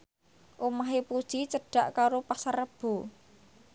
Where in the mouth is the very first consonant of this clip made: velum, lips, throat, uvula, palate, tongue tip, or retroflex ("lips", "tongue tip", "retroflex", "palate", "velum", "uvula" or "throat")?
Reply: throat